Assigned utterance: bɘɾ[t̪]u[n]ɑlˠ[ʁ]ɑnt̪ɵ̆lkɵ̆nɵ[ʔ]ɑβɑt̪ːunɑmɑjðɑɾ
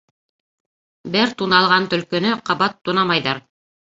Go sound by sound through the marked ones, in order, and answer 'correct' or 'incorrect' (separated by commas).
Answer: correct, correct, correct, incorrect